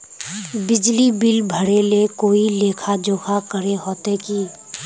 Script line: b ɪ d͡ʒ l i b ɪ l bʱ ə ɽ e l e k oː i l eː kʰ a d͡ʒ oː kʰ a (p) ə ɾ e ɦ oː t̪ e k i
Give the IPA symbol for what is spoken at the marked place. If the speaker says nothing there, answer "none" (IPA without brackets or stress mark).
k